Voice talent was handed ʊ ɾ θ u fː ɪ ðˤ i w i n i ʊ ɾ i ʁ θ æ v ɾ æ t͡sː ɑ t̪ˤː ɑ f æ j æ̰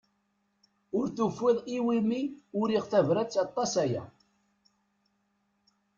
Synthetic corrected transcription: ʊ ɾ θ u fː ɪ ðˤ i w i m i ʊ ɾ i ʁ θ æ v ɾ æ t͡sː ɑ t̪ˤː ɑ s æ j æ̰